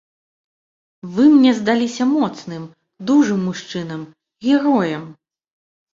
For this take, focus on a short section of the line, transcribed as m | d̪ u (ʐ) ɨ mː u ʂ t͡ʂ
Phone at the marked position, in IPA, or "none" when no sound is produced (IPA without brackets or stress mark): ʐ